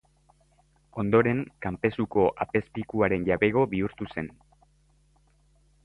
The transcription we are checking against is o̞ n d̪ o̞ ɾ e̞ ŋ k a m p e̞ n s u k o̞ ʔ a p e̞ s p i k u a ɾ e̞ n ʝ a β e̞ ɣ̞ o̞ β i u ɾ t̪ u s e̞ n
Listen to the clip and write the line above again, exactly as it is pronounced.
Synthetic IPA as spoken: o̞ n d̪ o̞ ɾ e̞ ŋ k a m p e̞ s u k o̞ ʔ a p e̞ s p i k u a ɾ e̞ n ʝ a β e̞ ɣ̞ o̞ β i u ɾ t̪ u s e̞ n